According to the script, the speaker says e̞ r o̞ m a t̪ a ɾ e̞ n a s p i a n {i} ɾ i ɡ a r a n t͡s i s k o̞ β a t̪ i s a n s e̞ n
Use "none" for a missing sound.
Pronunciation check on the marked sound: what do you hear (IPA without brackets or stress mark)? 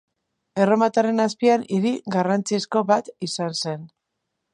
i